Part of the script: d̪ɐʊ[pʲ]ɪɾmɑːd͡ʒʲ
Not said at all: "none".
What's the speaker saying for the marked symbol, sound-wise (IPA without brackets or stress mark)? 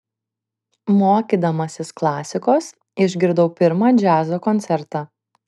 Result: pʲ